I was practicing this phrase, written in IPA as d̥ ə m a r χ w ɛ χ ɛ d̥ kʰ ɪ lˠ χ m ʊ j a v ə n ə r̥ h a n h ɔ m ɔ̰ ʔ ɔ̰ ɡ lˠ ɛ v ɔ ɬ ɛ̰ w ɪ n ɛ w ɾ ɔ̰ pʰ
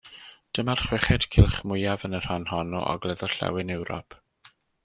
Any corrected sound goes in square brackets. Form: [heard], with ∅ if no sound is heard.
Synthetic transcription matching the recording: d̥ ə m a r χ w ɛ χ ɛ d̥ kʰ ɪ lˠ χ m ʊ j a v ə n ə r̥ h a n h ɔ [n] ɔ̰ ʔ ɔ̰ ɡ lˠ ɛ [ð] ɔ ɬ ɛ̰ w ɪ n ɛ w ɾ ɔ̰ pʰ